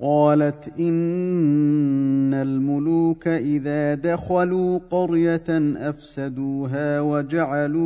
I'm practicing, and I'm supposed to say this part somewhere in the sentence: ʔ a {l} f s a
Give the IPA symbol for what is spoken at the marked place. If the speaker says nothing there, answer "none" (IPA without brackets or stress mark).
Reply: none